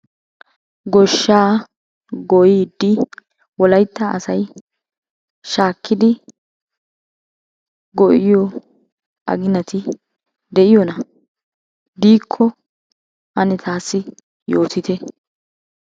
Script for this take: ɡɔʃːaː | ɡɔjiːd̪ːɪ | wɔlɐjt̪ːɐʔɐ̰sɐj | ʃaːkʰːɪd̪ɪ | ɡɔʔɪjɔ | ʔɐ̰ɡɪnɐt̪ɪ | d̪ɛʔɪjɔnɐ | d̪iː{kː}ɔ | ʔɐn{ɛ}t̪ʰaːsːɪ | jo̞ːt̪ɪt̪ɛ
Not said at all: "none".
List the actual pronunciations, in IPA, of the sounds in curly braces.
kʰː, ɛ

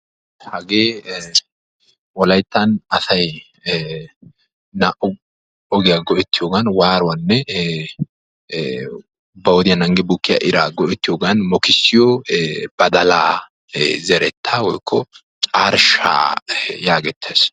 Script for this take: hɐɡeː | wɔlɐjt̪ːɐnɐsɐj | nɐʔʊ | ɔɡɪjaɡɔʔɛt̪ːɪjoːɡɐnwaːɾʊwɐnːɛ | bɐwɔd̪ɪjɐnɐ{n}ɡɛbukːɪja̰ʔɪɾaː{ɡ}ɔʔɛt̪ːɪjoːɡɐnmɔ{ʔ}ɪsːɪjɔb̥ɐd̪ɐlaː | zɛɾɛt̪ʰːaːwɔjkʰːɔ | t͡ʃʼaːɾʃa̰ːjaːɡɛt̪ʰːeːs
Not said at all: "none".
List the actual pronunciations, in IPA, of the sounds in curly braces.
ŋ, ɡ, k

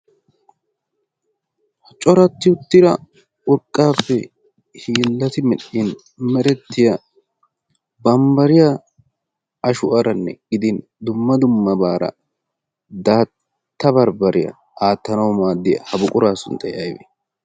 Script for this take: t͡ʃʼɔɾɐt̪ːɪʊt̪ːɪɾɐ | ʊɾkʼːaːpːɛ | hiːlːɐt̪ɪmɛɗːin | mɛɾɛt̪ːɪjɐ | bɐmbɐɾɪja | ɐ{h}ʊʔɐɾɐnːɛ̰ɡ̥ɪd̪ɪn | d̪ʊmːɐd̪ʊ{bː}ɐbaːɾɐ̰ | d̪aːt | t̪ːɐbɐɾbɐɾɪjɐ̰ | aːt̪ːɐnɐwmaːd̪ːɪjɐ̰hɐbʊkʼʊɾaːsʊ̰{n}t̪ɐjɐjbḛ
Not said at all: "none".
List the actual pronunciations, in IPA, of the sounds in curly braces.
ʃ, mː, n

